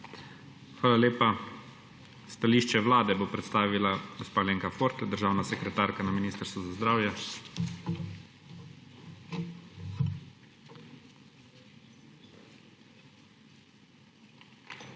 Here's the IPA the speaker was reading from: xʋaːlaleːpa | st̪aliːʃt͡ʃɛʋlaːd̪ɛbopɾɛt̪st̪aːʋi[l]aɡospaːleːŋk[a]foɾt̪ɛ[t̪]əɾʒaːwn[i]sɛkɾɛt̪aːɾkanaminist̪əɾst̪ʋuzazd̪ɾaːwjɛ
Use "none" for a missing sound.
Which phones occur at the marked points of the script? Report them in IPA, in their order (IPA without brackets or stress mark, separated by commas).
l, a, d̪, a